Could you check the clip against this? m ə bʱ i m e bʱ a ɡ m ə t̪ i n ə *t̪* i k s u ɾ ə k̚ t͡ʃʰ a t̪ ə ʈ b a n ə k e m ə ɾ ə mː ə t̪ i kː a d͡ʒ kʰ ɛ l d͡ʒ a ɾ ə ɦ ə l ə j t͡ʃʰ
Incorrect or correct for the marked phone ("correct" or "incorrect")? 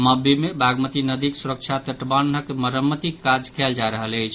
incorrect